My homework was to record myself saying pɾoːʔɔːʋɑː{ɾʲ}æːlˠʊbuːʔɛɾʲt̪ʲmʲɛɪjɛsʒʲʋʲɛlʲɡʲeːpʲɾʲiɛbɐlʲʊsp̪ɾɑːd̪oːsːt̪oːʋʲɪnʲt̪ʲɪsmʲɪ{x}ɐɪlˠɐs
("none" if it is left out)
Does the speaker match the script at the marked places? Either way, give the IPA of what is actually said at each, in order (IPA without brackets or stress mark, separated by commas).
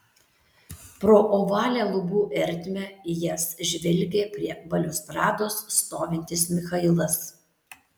lʲ, x